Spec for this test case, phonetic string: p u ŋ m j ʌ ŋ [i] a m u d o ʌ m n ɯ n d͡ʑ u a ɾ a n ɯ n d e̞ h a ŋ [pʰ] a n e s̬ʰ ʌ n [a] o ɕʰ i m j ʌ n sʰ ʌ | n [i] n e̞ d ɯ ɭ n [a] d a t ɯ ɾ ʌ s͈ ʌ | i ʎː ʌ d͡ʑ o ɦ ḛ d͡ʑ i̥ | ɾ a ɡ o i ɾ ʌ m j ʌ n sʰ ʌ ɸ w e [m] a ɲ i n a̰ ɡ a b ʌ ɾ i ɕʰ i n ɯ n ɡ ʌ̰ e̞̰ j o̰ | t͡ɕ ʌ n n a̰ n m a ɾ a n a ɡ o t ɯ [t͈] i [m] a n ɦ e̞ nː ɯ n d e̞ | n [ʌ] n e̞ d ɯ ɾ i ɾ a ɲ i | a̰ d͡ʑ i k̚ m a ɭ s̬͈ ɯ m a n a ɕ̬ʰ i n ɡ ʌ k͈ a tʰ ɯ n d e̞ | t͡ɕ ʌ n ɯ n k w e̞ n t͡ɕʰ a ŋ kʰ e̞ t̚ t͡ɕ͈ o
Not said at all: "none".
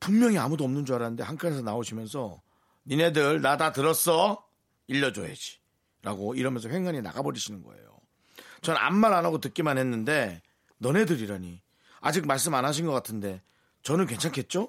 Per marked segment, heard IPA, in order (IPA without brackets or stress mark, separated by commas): i, kʰ, a, i, a, ŋ, k͈, m, ʌ